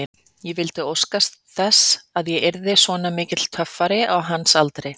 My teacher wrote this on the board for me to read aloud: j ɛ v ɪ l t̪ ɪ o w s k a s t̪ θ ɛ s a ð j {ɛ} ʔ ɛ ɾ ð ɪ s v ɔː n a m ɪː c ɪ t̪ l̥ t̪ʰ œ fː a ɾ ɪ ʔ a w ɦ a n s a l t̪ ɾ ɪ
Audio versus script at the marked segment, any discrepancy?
no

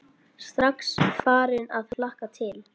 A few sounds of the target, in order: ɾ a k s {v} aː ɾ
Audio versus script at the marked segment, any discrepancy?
yes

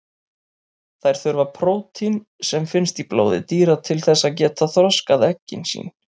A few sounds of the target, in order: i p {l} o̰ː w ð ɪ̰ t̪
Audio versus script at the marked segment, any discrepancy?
no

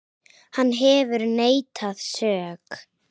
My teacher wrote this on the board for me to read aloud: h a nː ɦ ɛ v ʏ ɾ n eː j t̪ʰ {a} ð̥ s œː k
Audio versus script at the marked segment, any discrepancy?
no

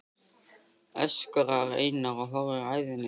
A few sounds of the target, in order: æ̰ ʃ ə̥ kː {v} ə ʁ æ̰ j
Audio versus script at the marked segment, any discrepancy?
yes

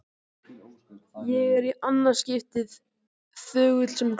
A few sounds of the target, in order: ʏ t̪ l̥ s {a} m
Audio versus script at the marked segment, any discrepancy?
yes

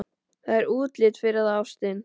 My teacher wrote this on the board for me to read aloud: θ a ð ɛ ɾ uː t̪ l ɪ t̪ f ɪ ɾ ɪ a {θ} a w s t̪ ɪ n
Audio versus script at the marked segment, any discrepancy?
yes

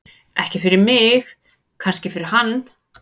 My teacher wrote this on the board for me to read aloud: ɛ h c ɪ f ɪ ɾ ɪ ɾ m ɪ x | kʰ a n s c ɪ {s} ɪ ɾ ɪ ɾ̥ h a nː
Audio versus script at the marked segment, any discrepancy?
yes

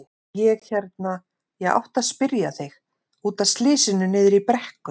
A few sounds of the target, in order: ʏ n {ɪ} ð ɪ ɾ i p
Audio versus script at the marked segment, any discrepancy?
yes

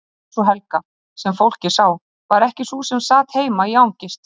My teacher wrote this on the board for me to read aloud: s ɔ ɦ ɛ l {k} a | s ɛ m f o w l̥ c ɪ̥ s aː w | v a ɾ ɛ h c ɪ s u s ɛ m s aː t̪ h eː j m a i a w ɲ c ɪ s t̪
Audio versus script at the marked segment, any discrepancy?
no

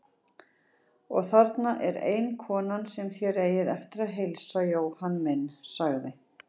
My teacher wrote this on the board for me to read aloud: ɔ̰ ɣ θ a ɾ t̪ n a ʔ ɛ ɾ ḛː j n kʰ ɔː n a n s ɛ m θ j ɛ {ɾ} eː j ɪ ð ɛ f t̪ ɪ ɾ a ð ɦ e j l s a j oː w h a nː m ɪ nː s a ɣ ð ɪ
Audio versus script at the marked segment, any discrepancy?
no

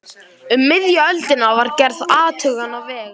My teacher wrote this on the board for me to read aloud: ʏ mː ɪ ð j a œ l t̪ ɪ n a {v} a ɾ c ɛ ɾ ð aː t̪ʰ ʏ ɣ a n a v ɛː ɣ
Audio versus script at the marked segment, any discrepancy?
no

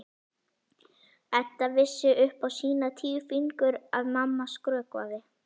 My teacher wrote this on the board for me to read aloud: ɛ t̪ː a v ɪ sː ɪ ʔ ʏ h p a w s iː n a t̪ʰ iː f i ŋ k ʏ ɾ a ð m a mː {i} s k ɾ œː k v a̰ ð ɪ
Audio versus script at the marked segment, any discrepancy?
yes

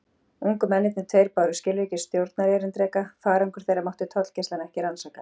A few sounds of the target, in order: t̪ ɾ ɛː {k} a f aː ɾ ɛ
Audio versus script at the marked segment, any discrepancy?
no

